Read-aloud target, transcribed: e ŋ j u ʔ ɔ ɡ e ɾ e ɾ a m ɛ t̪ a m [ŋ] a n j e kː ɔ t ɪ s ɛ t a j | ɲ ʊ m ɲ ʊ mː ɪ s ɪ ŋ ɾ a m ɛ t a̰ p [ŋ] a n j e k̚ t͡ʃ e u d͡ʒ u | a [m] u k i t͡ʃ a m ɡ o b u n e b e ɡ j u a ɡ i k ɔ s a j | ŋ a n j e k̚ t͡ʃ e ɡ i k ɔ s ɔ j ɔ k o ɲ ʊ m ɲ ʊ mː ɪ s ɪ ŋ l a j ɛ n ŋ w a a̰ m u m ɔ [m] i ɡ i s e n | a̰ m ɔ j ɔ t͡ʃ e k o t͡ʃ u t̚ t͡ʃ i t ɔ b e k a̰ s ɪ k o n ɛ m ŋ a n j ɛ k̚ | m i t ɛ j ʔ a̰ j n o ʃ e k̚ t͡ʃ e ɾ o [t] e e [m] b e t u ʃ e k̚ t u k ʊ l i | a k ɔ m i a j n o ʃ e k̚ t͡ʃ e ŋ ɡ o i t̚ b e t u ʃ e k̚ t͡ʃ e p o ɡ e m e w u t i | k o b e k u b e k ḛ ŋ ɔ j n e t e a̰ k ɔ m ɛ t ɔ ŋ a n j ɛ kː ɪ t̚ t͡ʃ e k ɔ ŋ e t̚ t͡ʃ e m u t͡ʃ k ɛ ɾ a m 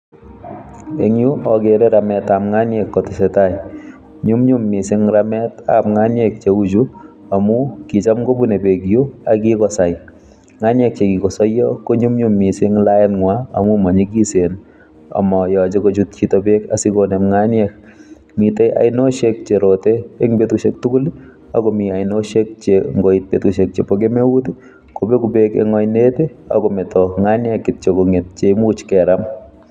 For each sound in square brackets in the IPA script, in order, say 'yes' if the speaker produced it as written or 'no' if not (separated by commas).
yes, yes, yes, no, yes, no